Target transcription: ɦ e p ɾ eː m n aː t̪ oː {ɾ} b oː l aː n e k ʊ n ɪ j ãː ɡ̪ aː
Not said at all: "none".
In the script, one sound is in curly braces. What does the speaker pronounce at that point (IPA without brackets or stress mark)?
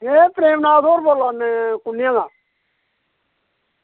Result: ɾ